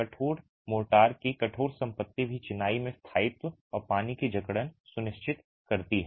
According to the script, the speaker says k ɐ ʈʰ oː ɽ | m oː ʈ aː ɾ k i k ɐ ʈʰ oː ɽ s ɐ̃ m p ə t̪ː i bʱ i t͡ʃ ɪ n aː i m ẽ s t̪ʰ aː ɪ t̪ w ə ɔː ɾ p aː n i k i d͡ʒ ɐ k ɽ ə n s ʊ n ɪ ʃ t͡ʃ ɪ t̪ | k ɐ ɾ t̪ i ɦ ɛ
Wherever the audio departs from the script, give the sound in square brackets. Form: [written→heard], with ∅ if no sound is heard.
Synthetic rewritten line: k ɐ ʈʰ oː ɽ | m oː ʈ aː ɾ k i k ɐ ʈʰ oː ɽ s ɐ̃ m p ə t̪ː i bʱ i t͡ʃ ɪ n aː i m ẽ s t̪ʰ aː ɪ t̪ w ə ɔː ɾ p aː n i k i d͡ʒ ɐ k ɽ ə n s ʊ n ɪ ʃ t͡ʃ ɪ t̪ | k ɐ ɾ t̪ i ɦ ɛ

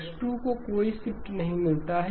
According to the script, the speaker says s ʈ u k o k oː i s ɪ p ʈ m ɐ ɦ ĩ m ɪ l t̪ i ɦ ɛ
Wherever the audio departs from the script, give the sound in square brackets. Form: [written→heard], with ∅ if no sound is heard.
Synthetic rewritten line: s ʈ u k o k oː i s ɪ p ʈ [m→n] ɐ ɦ ĩ m ɪ l t̪ [i→a] ɦ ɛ

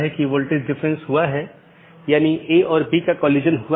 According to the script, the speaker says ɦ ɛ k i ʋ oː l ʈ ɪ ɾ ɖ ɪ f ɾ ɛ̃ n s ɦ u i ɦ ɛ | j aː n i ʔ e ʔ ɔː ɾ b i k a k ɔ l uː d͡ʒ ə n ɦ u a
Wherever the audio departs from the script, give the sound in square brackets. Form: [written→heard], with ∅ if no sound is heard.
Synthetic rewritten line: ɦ ɛ k i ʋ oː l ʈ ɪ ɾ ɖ ɪ f ɾ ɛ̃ n s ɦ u [i→a] ɦ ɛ | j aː n i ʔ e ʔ ɔː ɾ b i k a k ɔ l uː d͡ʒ ə n ɦ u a

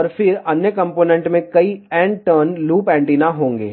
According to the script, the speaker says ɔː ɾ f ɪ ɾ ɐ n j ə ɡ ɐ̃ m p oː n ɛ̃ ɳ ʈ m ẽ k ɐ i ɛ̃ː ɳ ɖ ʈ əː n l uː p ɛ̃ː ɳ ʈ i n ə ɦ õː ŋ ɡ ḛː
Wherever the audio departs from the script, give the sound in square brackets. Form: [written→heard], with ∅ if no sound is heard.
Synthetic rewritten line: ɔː ɾ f ɪ ɾ ɐ n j ə [ɡ→k] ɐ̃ m p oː n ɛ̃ ɳ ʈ m ẽ k ɐ i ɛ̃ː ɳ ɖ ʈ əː n l uː p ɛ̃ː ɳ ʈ i n [ə→a] ɦ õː ŋ ɡ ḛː

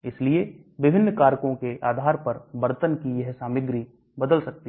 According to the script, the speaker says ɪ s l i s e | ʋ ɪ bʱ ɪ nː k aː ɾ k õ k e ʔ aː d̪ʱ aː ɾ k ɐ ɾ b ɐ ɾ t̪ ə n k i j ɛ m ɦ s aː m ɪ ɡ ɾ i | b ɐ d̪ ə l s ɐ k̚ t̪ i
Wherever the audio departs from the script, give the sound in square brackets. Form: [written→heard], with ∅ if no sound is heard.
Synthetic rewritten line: ɪ s l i [s→∅] e | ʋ ɪ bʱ ɪ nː k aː ɾ k õ k e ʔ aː d̪ʱ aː ɾ [k→p] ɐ ɾ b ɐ ɾ t̪ ə n k i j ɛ [m→∅] ɦ s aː m ɪ ɡ ɾ i | b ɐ d̪ ə l s ɐ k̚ t̪ i

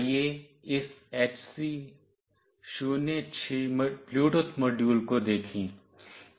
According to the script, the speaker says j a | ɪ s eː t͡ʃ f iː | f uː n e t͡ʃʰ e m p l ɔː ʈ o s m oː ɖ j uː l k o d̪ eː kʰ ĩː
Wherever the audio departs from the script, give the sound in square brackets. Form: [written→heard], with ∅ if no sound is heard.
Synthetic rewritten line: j [a→e] | ɪ s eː t͡ʃ [f→s] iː | [f→ʃ] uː n e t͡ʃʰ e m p l [ɔː→uː] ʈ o s m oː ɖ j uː l k o d̪ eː kʰ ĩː

